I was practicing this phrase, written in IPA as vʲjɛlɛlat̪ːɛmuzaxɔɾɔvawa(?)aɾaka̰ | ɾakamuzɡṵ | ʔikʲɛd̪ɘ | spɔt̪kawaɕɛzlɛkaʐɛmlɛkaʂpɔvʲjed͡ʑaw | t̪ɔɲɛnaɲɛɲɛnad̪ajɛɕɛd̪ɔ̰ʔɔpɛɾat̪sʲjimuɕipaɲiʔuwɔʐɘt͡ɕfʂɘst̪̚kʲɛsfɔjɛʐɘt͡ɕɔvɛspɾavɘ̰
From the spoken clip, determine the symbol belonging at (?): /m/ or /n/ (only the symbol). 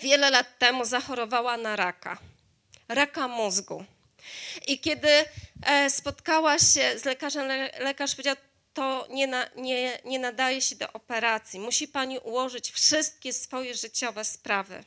n